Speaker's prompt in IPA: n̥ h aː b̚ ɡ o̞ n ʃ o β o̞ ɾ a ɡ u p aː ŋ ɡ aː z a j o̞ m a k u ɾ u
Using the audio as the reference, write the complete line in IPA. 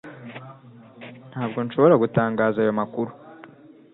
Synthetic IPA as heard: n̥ h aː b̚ ɡ o̞ n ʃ o β o̞ ɾ a ɡ u t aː ŋ ɡ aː z a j o̞ m a k u ɾ u